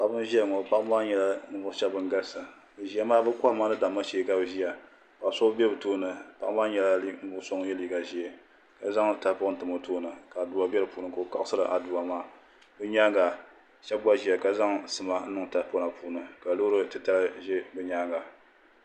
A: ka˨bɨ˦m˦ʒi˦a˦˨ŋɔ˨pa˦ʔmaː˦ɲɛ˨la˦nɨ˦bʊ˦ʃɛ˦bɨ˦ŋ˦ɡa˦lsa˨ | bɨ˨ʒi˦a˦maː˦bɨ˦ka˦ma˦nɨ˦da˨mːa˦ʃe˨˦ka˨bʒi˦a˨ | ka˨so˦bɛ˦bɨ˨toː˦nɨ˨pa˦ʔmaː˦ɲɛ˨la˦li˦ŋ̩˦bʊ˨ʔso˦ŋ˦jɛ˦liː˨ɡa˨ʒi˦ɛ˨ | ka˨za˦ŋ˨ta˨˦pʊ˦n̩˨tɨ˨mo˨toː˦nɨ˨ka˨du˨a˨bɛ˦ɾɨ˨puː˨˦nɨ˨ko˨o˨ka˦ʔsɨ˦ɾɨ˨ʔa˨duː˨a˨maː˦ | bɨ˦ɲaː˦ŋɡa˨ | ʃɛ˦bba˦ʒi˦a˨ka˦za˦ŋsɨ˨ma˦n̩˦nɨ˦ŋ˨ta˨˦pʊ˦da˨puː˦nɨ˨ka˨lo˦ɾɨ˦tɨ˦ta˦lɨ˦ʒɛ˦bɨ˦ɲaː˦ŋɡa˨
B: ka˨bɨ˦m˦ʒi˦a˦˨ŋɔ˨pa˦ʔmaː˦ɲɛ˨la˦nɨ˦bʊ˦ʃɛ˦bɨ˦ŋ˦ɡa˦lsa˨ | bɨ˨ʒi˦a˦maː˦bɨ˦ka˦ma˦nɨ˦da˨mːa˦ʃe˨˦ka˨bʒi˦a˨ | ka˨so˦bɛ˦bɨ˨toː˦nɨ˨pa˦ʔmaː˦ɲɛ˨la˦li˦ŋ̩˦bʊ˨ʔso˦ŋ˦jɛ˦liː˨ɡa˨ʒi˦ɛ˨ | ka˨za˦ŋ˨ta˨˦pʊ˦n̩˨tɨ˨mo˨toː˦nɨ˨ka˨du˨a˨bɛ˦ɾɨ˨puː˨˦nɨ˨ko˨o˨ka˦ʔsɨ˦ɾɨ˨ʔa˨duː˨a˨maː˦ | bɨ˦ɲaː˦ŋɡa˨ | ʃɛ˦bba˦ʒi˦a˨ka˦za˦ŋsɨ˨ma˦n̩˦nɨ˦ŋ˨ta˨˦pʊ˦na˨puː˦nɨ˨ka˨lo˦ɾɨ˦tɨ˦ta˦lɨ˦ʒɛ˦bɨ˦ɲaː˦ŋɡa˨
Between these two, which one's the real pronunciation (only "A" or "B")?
B